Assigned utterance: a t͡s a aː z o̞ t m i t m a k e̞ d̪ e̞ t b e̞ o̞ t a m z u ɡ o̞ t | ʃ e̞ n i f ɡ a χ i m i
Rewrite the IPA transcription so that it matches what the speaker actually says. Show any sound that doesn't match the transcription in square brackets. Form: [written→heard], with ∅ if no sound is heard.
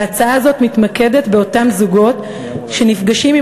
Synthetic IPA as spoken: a t͡s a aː z o̞ t m i t m a k e̞ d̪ e̞ t b e̞ o̞ t a m z u ɡ o̞ t | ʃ e̞ n i f ɡ a [χ→ʃ] i m i